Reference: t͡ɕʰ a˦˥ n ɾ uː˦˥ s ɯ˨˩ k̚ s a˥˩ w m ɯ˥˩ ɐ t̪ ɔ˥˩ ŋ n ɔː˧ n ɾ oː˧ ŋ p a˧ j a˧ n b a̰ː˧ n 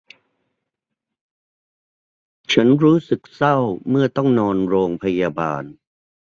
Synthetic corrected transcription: t͡ɕʰ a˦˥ n ɾ uː˦˥ s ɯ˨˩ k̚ s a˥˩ w m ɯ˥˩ ɐ t̪ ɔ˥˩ ŋ n ɔː˧ n ɾ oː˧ ŋ pʰ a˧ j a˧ b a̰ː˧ n